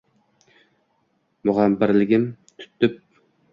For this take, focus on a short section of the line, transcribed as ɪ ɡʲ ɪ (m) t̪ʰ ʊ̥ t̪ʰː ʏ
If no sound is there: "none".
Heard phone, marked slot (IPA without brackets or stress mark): m